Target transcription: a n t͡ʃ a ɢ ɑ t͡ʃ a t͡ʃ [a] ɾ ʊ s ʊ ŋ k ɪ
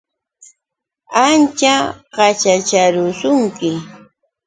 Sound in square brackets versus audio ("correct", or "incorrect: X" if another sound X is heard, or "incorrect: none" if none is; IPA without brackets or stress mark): correct